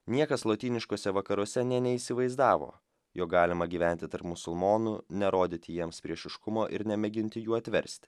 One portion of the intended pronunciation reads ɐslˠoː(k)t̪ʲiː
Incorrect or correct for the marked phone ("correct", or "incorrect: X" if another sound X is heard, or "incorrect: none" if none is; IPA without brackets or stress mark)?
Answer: incorrect: none